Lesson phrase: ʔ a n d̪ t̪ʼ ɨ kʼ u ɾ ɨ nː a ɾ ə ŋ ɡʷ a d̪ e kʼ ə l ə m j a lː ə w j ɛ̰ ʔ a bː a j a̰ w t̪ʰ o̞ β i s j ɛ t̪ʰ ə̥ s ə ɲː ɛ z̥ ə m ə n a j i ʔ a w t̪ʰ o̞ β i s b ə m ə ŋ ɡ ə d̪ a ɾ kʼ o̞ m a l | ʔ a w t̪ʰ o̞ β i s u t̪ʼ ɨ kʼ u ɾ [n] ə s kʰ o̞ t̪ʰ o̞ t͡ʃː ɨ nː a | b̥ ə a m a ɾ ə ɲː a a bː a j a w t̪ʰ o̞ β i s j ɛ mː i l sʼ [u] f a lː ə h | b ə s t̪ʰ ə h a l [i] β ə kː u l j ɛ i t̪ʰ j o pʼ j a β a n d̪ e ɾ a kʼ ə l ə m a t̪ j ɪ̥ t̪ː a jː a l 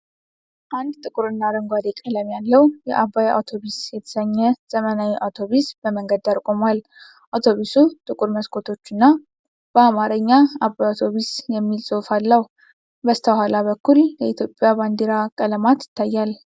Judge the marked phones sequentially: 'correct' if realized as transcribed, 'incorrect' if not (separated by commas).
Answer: incorrect, incorrect, incorrect